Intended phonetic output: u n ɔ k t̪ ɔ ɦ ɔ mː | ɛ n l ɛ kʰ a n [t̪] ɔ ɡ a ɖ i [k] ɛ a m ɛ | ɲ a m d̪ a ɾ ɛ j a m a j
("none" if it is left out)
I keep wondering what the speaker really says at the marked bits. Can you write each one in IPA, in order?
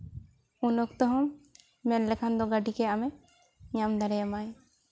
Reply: d̪, k

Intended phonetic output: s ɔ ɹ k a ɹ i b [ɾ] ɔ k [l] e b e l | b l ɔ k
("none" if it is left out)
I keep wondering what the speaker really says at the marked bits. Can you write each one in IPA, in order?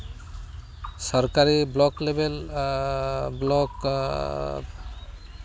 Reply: l, l

